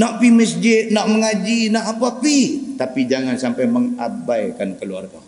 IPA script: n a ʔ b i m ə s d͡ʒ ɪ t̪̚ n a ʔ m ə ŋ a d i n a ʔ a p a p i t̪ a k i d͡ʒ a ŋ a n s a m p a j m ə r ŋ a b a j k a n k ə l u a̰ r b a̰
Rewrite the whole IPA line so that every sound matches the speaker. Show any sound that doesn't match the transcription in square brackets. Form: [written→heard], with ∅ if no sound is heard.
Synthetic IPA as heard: n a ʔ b i m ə s d͡ʒ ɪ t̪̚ n a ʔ m ə ŋ a [d→d͡ʒ] i n a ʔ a p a p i t̪ a [k→p] i d͡ʒ a ŋ a n s a m p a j m ə [r→∅] ŋ a b a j k a n k ə l u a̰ r [b→ɡ] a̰